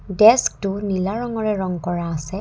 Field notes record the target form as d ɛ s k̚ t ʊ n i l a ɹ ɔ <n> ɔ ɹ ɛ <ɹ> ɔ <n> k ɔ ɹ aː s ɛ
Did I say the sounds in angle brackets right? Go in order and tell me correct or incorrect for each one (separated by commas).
incorrect, correct, incorrect